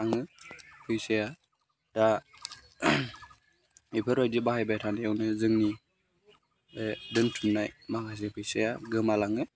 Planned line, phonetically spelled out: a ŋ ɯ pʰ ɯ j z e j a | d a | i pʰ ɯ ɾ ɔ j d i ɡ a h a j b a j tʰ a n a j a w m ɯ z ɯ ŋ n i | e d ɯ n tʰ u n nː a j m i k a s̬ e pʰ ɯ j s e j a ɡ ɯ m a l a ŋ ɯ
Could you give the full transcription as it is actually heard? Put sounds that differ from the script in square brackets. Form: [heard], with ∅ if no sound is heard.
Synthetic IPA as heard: a ŋ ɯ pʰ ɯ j [s] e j a | d a | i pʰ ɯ ɾ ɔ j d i [b] a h a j b a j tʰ a n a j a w [n] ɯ z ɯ ŋ n i | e d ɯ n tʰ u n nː a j m [a] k a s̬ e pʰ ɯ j s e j a ɡ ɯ m a l a ŋ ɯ